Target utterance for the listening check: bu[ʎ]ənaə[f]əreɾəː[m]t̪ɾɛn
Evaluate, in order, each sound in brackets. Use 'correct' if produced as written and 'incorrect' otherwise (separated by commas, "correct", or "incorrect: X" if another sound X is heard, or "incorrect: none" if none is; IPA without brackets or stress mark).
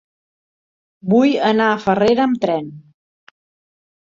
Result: incorrect: j, correct, correct